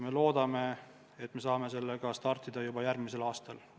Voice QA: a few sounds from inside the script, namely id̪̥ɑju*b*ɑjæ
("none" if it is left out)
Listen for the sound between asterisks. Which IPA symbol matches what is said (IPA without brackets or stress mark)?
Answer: b